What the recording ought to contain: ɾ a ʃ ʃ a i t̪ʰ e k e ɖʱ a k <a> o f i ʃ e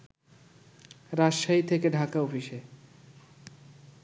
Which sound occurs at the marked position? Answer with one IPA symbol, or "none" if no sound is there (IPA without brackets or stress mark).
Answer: a